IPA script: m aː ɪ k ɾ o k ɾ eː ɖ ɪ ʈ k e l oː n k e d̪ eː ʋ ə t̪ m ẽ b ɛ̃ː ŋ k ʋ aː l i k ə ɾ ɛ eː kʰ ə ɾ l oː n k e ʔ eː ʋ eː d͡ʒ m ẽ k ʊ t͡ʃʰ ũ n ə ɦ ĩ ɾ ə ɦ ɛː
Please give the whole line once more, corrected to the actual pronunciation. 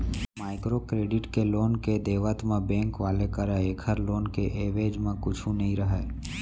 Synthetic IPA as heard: m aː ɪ k ɾ o k ɾ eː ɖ ɪ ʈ k e l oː n k e d̪ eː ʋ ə t̪ m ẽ b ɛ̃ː ŋ k ʋ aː l e k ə ɾ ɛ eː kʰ ə ɾ l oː n k e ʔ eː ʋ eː d͡ʒ m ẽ k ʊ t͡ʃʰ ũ n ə ɦ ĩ ɾ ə ɦ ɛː